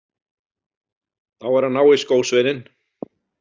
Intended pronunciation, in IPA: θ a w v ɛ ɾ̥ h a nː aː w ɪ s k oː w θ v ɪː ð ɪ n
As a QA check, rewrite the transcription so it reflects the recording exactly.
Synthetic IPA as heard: θ a w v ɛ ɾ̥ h a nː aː w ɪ s k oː w s v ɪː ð ɪ n